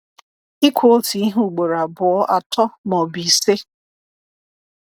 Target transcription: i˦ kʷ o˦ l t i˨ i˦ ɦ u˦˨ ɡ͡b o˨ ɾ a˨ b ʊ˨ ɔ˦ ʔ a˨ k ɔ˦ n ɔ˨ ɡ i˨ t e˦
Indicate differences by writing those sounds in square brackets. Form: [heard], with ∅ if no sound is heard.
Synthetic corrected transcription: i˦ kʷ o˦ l t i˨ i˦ ɦ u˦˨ ɡ͡b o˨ ɾ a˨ b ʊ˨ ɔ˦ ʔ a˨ [t] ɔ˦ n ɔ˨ [b] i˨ [s] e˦